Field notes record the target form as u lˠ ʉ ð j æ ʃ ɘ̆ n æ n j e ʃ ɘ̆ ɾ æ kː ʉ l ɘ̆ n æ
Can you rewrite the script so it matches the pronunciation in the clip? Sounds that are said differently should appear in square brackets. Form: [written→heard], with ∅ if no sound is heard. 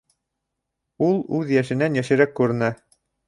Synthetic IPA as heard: u lˠ ʉ ð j æ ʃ ɘ̆ n æ n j [e→æ] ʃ ɘ̆ ɾ æ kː ʉ [l→ɾ] ɘ̆ n æ